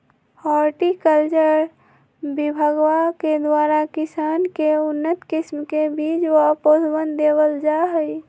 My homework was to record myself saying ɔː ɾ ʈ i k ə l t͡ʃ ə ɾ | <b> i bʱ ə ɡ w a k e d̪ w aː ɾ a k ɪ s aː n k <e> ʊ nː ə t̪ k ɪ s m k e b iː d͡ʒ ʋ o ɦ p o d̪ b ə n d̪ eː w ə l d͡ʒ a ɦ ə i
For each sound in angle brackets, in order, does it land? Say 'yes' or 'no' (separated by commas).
yes, yes